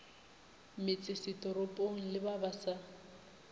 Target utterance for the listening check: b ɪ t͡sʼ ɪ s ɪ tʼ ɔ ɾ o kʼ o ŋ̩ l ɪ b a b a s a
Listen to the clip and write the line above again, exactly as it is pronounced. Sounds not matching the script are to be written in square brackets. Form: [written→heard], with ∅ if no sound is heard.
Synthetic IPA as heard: [b→m] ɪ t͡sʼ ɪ s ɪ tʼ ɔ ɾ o [kʼ→pʼ] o ŋ̩ l ɪ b a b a s a